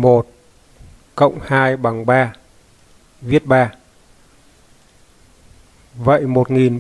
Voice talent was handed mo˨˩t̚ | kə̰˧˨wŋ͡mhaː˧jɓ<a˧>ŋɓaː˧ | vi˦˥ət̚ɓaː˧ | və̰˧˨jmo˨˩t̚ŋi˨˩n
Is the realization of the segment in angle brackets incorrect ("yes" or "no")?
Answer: yes